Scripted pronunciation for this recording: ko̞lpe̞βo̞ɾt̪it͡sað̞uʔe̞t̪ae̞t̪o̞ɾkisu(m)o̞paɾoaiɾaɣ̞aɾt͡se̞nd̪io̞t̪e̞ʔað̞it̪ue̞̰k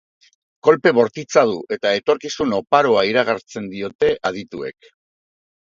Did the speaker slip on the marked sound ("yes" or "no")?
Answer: yes